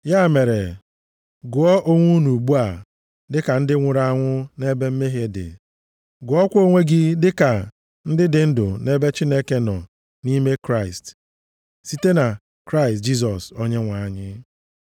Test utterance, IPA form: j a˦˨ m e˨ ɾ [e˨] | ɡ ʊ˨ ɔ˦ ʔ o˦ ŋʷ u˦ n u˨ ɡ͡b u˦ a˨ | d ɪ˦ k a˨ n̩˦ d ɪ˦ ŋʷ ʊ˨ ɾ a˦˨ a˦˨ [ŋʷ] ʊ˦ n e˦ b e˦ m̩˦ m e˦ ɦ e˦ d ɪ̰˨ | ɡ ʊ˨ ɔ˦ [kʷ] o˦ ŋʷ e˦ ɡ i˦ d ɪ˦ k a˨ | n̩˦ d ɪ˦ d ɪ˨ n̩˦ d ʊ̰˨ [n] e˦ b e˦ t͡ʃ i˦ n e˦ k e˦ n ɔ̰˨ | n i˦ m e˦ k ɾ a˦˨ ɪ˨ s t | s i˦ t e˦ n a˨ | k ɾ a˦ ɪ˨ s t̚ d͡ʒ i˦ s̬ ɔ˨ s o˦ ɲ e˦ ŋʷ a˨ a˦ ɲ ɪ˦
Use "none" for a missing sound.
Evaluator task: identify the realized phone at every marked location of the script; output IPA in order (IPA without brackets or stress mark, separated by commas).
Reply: e˨, ŋʷ, kʷ, n